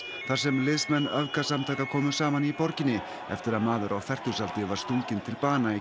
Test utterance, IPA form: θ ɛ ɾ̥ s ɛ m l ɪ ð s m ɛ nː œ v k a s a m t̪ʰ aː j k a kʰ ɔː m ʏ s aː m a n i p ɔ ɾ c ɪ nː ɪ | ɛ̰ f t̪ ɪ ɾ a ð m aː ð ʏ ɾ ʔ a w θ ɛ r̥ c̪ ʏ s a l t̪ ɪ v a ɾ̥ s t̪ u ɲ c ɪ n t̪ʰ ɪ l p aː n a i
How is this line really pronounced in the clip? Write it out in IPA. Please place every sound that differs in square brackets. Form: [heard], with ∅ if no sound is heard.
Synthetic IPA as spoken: θ [a] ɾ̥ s ɛ m l ɪ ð s m ɛ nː œ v k a s a m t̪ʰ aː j k a kʰ ɔː m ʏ s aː m a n i p ɔ ɾ c ɪ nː ɪ | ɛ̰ f t̪ ɪ ɾ a ð m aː ð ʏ ɾ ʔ a w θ ɛ r̥ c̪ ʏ s a l t̪ ɪ v a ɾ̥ s t̪ u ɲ c ɪ n t̪ʰ ɪ l p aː n a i